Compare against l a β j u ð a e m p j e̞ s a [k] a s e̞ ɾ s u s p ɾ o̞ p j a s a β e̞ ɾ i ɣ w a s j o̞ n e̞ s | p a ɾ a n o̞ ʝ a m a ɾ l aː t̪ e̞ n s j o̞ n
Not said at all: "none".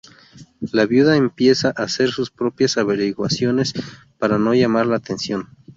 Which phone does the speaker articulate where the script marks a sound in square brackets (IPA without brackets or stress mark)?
ʔ